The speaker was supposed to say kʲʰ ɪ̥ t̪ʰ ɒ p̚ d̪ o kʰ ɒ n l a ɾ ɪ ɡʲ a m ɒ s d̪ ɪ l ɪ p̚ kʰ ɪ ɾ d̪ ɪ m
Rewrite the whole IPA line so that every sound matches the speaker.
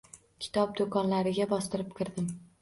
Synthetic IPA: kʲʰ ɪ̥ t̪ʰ ɒ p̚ d̪ o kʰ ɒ n l a ɾ ɪ ɡʲ a b ɒ s t̪ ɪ ɾ ɪ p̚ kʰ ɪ ɾ d̪ ɪ m